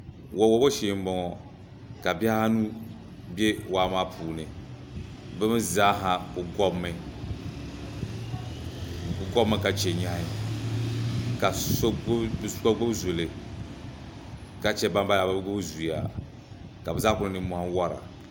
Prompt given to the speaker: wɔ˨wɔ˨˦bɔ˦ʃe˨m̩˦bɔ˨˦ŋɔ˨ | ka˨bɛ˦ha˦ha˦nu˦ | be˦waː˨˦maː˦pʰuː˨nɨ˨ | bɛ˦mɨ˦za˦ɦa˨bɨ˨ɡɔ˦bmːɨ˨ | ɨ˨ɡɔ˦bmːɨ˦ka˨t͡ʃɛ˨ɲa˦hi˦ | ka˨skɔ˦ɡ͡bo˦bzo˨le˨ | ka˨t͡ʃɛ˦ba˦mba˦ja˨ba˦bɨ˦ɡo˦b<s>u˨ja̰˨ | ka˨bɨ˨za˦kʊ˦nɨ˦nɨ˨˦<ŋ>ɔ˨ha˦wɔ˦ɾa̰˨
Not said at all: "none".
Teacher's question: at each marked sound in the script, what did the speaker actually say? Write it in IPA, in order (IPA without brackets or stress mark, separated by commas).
z, m